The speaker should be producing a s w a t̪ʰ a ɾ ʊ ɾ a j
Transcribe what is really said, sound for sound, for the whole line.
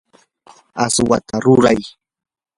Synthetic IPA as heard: a s w a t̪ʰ a ɾ ʊ ɾ a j